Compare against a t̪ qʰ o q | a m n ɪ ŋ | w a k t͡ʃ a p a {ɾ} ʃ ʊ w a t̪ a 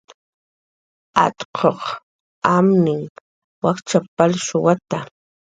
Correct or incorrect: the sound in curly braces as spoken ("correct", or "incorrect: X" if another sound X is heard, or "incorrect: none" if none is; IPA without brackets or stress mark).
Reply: incorrect: l